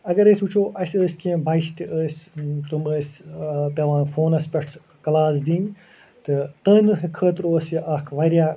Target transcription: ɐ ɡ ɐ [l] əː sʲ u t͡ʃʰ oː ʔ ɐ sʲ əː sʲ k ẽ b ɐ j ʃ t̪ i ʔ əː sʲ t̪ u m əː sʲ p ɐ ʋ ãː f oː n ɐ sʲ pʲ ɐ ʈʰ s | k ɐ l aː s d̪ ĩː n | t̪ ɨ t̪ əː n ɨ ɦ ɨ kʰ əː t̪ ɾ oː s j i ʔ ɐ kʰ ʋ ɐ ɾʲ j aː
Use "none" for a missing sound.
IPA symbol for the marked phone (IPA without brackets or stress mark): ɾ